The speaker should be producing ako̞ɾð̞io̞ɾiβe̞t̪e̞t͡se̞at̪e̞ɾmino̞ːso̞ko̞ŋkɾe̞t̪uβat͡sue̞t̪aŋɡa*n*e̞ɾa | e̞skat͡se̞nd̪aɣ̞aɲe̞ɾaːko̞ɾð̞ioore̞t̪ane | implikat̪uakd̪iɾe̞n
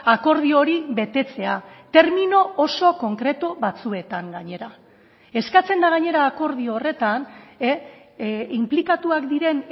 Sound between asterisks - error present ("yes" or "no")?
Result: yes